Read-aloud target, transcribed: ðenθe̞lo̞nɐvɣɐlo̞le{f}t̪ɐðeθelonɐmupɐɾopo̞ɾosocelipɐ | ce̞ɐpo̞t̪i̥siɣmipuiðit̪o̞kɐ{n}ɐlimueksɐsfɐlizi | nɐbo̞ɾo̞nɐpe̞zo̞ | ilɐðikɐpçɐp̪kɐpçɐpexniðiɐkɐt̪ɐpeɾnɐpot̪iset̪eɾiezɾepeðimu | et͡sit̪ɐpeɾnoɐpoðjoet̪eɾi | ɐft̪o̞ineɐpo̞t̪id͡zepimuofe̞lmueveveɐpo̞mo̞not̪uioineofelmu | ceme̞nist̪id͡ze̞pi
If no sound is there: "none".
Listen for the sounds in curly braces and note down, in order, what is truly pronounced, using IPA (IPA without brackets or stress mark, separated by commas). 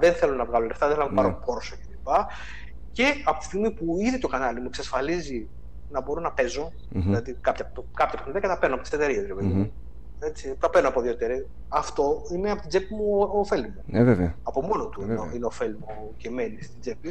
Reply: f, n